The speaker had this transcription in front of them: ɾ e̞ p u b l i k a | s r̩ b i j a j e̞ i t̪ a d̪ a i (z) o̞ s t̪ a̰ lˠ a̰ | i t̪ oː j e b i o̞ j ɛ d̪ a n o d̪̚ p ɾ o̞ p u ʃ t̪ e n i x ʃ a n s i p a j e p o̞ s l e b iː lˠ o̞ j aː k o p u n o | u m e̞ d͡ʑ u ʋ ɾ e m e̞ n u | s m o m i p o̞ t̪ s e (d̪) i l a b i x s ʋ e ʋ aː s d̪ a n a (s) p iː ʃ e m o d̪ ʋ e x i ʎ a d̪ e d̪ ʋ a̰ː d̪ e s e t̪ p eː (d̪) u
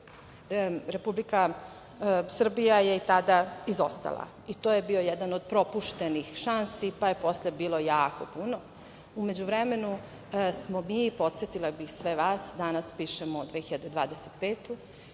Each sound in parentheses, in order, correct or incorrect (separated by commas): correct, incorrect, correct, incorrect